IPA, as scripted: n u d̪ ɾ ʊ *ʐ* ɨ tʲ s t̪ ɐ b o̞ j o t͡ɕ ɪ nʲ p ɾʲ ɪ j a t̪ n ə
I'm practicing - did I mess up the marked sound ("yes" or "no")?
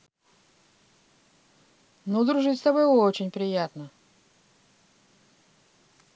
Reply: no